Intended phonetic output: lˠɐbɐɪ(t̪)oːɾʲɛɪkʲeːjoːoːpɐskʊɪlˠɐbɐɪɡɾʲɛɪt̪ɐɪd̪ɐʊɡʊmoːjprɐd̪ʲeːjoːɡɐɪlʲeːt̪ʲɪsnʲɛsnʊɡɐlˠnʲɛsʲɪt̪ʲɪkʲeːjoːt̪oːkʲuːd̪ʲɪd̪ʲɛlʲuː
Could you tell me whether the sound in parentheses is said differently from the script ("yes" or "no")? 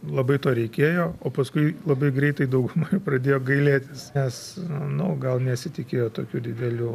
no